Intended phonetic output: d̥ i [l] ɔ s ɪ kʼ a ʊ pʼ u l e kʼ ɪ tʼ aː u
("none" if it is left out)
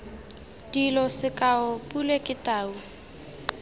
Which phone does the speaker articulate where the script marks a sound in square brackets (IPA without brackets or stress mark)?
l